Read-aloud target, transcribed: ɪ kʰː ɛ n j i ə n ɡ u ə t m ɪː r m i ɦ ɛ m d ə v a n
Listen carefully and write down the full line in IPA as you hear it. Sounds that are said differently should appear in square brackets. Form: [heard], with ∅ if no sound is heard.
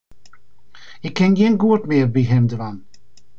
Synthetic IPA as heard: ɪ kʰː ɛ n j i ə n ɡ u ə t m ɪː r [b] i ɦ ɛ m d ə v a n